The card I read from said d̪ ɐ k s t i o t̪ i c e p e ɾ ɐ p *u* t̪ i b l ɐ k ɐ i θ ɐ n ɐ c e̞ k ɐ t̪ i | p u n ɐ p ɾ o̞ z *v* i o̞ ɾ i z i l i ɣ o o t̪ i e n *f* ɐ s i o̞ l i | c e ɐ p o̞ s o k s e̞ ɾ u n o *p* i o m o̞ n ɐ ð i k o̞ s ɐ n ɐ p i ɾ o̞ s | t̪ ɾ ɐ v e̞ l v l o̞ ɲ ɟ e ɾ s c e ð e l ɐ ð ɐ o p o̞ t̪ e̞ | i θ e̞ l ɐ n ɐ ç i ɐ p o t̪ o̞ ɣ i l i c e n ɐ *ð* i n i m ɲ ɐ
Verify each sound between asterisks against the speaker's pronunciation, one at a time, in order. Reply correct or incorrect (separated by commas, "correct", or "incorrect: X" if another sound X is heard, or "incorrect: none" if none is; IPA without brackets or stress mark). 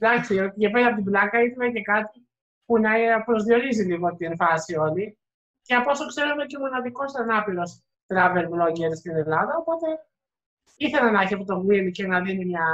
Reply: incorrect: o, incorrect: ð, correct, incorrect: c, correct